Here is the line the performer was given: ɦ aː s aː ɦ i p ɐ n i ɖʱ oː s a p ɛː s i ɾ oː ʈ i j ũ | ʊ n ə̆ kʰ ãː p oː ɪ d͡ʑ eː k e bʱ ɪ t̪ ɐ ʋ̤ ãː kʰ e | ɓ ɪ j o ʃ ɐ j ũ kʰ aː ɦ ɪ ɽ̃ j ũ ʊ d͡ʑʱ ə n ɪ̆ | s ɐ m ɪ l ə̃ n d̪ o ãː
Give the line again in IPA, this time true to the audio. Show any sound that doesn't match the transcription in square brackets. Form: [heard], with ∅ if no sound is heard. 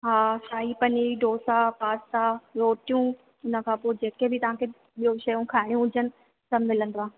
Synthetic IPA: ɦ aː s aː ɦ i p ɐ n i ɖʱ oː s a p [aː] s [a] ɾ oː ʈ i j ũ | ʊ n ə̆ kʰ ãː p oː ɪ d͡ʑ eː k e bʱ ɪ t̪ ɐ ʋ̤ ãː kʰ e | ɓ [i] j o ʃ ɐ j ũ kʰ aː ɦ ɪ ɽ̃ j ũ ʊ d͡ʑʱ ə n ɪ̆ | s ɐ m ɪ l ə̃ n d̪ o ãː

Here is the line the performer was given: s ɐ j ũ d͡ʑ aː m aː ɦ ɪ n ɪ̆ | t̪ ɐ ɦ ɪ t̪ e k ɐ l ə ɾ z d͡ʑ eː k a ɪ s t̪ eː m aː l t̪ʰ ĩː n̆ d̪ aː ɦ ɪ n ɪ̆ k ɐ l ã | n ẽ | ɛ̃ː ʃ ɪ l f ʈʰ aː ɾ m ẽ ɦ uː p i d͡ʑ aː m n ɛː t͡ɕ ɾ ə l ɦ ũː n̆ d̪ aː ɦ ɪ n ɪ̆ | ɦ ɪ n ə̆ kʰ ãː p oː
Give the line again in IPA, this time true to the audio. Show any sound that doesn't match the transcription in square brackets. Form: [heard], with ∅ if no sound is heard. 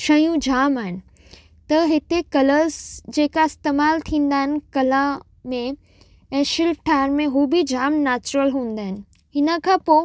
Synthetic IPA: [ʃ] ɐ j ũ d͡ʑ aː m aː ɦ ɪ n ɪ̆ | t̪ ɐ ɦ ɪ t̪ e k ɐ l ə ɾ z d͡ʑ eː k a ɪ s t̪ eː m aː l t̪ʰ ĩː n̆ d̪ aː ɦ ɪ n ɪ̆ k ɐ l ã | [m] ẽ | ɛ̃ː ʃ ɪ l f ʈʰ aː ɾ m ẽ ɦ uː [b] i d͡ʑ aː m n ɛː t͡ɕ ɾ ə l ɦ ũː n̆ d̪ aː ɦ ɪ n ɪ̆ | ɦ ɪ n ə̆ kʰ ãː p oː

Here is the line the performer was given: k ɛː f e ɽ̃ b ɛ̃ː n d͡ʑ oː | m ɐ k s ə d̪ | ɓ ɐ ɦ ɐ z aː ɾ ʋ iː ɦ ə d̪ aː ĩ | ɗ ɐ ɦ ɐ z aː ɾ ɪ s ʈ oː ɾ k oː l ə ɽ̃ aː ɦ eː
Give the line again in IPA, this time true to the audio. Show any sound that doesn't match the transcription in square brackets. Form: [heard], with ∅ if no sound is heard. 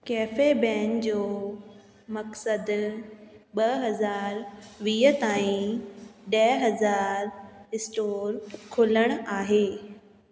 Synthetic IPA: k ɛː f e [∅] b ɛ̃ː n d͡ʑ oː | m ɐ k s ə d̪ | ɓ ɐ ɦ ɐ z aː ɾ ʋ iː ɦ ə [t̪] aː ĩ | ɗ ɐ ɦ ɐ z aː ɾ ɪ s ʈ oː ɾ [kʰ] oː l ə ɽ̃ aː ɦ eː

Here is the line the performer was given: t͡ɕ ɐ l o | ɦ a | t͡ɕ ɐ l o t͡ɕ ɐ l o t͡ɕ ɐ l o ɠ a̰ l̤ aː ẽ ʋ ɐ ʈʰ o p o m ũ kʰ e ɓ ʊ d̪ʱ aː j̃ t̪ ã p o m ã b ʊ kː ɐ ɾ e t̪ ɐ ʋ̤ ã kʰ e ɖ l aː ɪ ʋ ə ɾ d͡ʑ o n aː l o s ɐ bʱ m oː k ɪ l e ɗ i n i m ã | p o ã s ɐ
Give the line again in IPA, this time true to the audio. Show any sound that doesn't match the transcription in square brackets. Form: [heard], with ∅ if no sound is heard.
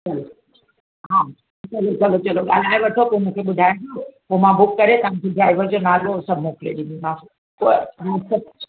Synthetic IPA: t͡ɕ ɐ l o | ɦ a | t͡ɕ ɐ l o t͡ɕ ɐ l o t͡ɕ ɐ l o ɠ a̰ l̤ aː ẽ ʋ ɐ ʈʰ o p o m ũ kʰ e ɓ ʊ d̪ʱ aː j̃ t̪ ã p o m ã b ʊ kː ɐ ɾ e t̪ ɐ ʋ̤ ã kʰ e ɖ [ɾ] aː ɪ ʋ ə ɾ d͡ʑ o n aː l o s ɐ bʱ m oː k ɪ l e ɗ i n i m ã | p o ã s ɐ

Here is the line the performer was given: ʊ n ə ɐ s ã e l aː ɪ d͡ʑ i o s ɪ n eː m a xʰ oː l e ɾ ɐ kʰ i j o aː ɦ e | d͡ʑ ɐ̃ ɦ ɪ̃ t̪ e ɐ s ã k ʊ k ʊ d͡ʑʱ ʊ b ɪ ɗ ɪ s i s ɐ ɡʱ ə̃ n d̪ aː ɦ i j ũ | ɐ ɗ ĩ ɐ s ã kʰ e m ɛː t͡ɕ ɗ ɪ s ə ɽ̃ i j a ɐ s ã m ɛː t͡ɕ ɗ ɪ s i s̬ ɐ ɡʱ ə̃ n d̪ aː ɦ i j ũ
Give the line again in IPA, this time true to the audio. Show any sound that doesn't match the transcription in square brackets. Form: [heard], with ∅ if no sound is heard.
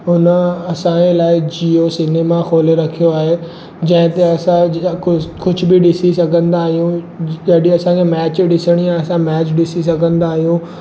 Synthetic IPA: ʊ n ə ɐ s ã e l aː ɪ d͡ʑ i o s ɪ n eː m a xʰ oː l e ɾ ɐ kʰ i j o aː ɦ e | d͡ʑ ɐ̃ ɦ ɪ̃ t̪ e ɐ s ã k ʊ k ʊ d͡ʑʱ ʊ b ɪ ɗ ɪ s i s ɐ ɡʱ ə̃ n d̪ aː ɦ i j ũ | ɐ ɗ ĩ ɐ s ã kʰ e m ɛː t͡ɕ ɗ ɪ s ə ɽ̃ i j a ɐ s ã m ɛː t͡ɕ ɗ ɪ s i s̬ ɐ ɡʱ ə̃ n d̪ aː ɦ i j ũ

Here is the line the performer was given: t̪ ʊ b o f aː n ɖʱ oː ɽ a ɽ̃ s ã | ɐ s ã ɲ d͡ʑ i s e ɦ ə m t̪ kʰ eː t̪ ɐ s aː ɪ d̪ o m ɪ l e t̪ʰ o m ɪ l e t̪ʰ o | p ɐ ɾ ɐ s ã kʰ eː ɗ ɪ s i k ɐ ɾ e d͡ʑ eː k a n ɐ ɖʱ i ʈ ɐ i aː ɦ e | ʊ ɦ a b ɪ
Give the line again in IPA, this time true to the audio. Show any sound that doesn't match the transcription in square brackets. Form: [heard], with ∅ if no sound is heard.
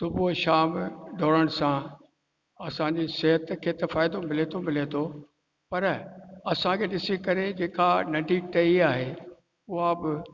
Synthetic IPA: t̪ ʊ b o [ʃ] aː [m] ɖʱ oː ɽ [ə] ɽ̃ s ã | ɐ s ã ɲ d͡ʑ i s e ɦ ə [∅] t̪ kʰ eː t̪ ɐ [f] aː ɪ d̪ o m ɪ l e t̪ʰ o m ɪ l e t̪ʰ o | p ɐ ɾ ɐ s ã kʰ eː ɗ ɪ s i k ɐ ɾ e d͡ʑ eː k a n ɐ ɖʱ i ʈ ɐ i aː ɦ e | ʊ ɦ a b ɪ

